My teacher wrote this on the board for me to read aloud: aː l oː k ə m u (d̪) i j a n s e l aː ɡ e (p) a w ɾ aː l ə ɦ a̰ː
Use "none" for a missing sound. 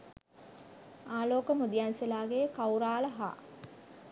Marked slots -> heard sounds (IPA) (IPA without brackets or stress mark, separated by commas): d̪, k